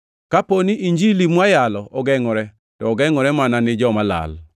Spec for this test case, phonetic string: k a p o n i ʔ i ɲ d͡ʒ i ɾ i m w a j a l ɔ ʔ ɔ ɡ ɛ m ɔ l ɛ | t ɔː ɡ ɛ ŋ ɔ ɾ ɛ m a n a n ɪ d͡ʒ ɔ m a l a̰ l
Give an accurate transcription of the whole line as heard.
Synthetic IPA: k a p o n i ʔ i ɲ d͡ʒ i l i m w a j a l ɔ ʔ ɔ ɡ ɛ ŋ ɔ ɾ ɛ | t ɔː ɡ ɛ ŋ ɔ ɾ ɛ m a n a n ɪ d͡ʒ ɔ m a l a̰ l